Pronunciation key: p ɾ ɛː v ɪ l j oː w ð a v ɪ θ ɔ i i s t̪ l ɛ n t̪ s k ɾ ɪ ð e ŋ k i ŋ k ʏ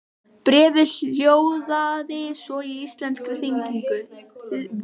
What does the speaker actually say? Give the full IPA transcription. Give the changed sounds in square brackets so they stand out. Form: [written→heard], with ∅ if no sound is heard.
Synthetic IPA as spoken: p ɾ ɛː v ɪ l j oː w ð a [v→ð] ɪ [θ→s] ɔ i i s t̪ l ɛ n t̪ s k ɾ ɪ [ð→θ] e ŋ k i ŋ k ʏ